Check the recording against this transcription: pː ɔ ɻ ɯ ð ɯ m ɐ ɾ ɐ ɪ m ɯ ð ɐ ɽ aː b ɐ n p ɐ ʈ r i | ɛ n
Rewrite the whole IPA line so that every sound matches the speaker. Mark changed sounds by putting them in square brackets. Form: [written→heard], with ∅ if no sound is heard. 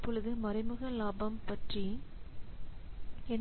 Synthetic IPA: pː ɔ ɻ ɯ ð ɯ m ɐ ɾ ɐ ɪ m ɯ [ð→ɣ] ɐ [ɽ→l] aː b ɐ [n→m] p ɐ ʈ r i | ɛ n

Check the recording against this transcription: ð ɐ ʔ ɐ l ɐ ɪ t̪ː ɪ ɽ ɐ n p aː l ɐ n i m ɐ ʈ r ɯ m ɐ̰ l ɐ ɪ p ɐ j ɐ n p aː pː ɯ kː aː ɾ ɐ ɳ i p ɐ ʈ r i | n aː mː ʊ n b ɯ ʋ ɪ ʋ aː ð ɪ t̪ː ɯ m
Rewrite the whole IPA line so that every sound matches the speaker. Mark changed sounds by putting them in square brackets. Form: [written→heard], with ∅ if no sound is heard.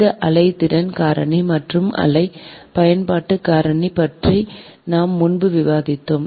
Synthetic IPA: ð ɐ ʔ ɐ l ɐ ɪ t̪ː ɪ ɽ ɐ n [p→k] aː [l→ɾ] ɐ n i m ɐ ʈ r ɯ m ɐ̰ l ɐ ɪ p ɐ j ɐ n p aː [pː→ʈː] ɯ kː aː ɾ ɐ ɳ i p ɐ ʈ r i | n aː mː ʊ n b ɯ ʋ ɪ ʋ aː ð ɪ t̪ː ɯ m

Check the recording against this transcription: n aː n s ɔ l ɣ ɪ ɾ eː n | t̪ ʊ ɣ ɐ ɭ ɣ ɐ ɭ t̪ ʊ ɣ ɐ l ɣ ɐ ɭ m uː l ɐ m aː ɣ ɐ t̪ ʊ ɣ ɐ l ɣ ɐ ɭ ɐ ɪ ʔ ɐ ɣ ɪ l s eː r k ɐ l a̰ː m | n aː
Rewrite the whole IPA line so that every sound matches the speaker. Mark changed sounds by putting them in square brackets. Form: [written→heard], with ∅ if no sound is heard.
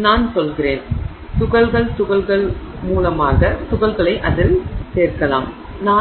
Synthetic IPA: n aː n s ɔ l ɣ ɪ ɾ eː n | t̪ ʊ ɣ ɐ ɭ ɣ ɐ ɭ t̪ ʊ ɣ ɐ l ɣ ɐ ɭ m uː l ɐ m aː ɣ ɐ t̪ ʊ ɣ ɐ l ɣ ɐ ɭ ɐ ɪ ʔ ɐ [ɣ→ð] ɪ l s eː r k ɐ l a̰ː m | n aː

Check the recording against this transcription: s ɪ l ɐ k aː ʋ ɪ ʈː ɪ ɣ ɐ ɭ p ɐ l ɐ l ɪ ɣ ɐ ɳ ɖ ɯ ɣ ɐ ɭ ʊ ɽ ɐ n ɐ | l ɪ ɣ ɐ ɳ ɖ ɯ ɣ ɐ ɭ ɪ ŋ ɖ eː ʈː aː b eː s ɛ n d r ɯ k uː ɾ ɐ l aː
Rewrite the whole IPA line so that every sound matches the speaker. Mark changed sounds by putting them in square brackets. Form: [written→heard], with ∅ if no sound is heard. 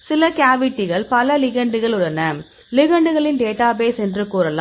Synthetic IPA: s ɪ l ɐ k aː ʋ ɪ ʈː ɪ ɣ ɐ ɭ p ɐ l ɐ l ɪ ɣ ɐ ɳ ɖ ɯ ɣ ɐ ɭ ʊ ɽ ɐ n ɐ | l ɪ ɣ ɐ ɳ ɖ ɯ ɣ ɐ ɭ ɪ [ŋ→n] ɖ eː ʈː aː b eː s ɛ n d r ɯ k uː ɾ ɐ l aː

